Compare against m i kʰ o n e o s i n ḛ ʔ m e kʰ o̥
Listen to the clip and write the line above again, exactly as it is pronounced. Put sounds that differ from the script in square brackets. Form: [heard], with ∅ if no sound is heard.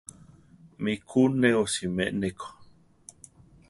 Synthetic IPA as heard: m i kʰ [u] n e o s i [m] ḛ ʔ [n] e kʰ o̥